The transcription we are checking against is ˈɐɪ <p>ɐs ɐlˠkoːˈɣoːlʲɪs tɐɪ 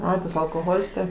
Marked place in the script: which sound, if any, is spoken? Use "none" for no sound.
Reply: t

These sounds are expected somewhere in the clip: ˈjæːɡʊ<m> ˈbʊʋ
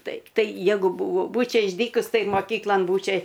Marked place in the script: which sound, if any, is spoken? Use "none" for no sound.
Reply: none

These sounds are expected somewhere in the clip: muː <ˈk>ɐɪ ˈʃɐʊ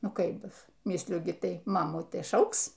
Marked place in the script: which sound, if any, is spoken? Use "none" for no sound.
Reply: t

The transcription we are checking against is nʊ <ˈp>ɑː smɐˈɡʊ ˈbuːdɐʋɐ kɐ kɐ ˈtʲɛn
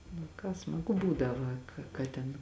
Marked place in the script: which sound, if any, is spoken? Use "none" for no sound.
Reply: k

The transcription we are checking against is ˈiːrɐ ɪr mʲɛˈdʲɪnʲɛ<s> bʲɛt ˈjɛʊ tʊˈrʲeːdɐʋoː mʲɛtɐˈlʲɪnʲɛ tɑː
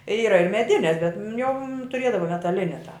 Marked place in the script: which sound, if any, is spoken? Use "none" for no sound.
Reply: s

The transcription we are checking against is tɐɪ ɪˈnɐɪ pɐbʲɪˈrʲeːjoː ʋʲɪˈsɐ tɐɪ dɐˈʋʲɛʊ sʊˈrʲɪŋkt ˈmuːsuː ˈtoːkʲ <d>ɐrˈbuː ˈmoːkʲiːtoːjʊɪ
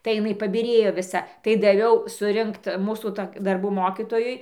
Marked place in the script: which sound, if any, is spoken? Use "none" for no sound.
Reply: d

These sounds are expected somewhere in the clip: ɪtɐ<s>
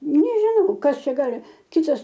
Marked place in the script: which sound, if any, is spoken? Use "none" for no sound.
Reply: s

